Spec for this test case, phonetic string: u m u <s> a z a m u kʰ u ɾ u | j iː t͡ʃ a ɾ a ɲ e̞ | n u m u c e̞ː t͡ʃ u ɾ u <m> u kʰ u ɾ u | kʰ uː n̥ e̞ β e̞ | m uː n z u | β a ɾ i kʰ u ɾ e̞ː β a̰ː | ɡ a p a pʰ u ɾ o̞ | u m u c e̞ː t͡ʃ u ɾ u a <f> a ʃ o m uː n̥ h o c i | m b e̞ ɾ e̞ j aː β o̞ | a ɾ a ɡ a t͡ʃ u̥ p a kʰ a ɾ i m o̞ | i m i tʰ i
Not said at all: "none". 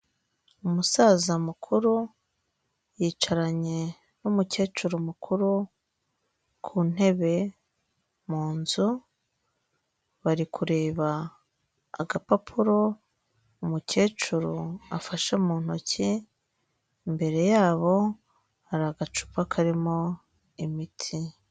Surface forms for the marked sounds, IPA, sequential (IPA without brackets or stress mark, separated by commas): s, m, f